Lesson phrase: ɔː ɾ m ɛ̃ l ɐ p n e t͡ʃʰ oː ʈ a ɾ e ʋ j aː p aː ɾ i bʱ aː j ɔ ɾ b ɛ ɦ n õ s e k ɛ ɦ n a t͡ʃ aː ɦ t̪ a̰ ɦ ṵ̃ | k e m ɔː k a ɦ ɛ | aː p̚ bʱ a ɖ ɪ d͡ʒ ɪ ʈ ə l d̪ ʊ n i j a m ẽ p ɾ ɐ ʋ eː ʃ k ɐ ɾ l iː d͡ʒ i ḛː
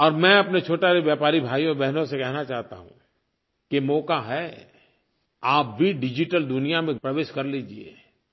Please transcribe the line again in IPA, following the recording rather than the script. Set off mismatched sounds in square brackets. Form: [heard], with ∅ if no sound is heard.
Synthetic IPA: ɔː ɾ m ɛ̃ [∅] ɐ p n e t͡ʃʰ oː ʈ a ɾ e ʋ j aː p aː ɾ i bʱ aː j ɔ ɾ b ɛ ɦ n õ s e k ɛ ɦ n a t͡ʃ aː ɦ t̪ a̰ ɦ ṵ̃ | k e m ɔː k a ɦ ɛ | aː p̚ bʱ [i] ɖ ɪ d͡ʒ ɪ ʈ ə l d̪ ʊ n i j a m ẽ p ɾ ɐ ʋ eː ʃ k ɐ ɾ l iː d͡ʒ i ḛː

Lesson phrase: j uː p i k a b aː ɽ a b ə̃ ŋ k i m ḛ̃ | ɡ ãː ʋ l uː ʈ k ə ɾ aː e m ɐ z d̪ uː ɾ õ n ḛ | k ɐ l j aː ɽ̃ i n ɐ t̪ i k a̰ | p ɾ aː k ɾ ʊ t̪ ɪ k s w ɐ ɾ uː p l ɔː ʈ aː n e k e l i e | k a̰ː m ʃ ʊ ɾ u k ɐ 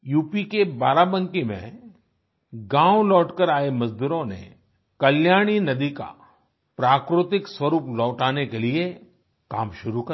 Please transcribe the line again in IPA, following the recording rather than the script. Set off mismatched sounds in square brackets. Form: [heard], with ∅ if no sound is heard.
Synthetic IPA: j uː p i k [e] b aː [ɾ] a b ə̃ ŋ k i m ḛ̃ | ɡ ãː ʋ l [ɔː] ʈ k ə ɾ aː e m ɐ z d̪ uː ɾ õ n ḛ | k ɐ l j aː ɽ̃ i n ɐ [d̪] i k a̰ | p ɾ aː k ɾ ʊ t̪ ɪ k s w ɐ ɾ uː p l ɔː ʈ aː n e k e l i e | k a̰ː m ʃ ʊ ɾ u k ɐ

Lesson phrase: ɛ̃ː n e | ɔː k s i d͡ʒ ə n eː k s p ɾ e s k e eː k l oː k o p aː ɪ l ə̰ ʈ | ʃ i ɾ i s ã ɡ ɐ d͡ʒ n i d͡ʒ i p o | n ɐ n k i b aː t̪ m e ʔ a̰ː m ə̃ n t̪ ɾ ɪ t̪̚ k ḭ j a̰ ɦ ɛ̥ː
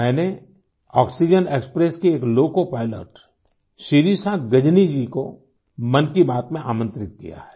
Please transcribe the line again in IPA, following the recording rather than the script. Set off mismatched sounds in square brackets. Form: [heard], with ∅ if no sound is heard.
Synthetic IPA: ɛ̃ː n e | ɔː k s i d͡ʒ ə n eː k s p ɾ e s k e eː k l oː k o p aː ɪ l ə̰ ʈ | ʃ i ɾ i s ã ɡ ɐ d͡ʒ n i d͡ʒ i [k] o | [m] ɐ n k i b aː t̪ m [ẽ] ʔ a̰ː m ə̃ n t̪ ɾ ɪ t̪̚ k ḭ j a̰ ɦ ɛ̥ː

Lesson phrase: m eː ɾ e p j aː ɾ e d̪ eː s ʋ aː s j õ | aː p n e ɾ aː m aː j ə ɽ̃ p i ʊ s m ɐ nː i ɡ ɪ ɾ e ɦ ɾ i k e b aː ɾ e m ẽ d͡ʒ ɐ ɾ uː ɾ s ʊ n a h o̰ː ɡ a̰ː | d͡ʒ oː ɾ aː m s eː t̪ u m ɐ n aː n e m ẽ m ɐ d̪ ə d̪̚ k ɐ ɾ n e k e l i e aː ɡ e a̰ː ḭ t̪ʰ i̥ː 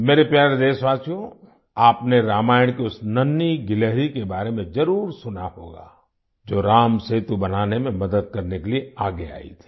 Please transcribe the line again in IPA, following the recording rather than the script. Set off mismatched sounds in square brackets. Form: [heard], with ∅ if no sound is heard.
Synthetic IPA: m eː ɾ e p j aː ɾ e d̪ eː s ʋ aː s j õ | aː p n e ɾ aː m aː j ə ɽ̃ [k] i ʊ s [n] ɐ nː i ɡ ɪ [l] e ɦ ɾ i k e b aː ɾ e m ẽ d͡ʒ ɐ ɾ uː ɾ s ʊ n a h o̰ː ɡ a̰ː | d͡ʒ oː ɾ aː m s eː t̪ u [b] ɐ n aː n e m ẽ m ɐ d̪ ə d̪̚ k ɐ ɾ n e k e l i e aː ɡ e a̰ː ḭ t̪ʰ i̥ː

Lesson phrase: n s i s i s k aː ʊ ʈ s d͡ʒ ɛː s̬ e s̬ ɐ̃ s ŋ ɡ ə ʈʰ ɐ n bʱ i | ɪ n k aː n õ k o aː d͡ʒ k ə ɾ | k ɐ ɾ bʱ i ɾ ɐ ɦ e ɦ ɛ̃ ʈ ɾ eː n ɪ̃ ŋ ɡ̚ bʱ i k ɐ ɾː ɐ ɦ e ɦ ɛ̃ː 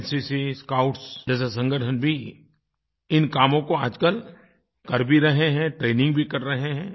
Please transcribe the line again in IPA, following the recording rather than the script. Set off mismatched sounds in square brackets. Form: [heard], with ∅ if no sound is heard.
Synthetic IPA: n s i s i s k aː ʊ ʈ s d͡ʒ ɛː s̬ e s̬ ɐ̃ [∅] ŋ ɡ ə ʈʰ [ə] n bʱ i | ɪ n k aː [m] õ k o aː d͡ʒ k ə [l] | k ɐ ɾ bʱ i ɾ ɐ ɦ e ɦ ɛ̃ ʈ ɾ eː n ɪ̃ ŋ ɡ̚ bʱ i k ɐ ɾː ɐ ɦ e ɦ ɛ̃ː

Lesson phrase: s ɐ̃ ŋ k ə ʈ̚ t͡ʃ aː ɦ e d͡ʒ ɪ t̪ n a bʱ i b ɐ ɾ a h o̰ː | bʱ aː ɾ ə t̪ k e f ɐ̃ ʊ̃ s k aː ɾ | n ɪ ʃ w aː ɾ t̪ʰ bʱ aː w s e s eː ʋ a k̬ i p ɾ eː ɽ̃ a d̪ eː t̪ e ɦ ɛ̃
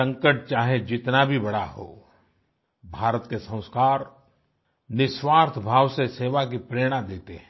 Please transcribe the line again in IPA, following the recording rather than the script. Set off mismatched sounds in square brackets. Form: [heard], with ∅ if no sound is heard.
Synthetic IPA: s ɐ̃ ŋ k ə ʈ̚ t͡ʃ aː ɦ e d͡ʒ ɪ t̪ n a bʱ i b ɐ [ɽ] a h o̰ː | bʱ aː ɾ ə t̪ k e [s] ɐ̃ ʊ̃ s k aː ɾ | n ɪ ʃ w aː ɾ t̪ʰ bʱ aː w s e s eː ʋ a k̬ i p ɾ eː ɽ̃ a d̪ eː t̪ e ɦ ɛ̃

